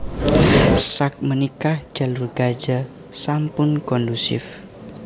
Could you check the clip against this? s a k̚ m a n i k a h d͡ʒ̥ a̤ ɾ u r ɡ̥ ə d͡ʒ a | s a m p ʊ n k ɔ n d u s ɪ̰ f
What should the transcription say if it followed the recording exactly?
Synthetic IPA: s a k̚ m ə n i k a h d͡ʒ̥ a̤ l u r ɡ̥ a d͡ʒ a | s a m p ʊ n k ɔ n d u s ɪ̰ f